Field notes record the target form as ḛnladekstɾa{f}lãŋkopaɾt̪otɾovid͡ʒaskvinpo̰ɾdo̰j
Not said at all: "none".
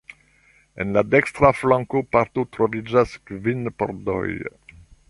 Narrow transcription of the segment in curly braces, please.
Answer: f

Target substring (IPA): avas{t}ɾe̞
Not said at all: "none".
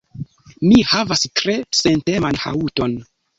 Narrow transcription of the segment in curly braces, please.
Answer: t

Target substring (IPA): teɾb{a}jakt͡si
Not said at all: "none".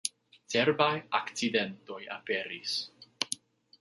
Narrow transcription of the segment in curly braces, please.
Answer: a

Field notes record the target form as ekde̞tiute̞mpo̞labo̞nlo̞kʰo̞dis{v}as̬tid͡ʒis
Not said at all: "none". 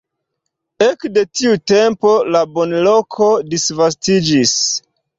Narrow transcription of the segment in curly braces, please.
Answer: v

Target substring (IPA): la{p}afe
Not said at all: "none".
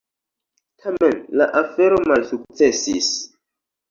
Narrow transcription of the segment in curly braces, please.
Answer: ʔ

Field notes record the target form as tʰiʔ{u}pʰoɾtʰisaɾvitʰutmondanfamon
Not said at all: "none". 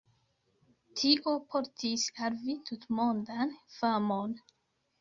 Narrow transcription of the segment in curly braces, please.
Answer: o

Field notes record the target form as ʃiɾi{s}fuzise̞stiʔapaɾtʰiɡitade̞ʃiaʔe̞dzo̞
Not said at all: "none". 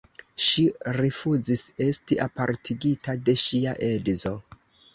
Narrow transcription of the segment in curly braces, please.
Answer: none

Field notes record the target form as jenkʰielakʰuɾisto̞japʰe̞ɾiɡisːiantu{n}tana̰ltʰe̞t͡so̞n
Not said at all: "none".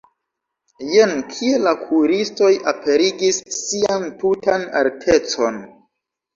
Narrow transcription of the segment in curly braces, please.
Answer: none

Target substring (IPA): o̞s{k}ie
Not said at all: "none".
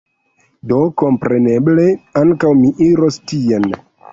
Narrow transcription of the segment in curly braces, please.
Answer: t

